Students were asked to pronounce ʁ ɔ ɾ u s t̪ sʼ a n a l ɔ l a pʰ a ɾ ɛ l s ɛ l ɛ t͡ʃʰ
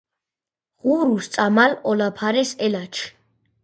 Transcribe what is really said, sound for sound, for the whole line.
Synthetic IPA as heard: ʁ u ɾ u s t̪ sʼ a m a l ɔ l a pʰ a ɾ ɛ s ɛ l a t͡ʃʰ